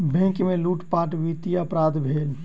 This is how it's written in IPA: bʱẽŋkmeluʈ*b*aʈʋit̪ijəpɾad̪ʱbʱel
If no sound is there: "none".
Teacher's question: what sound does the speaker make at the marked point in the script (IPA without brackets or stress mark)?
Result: p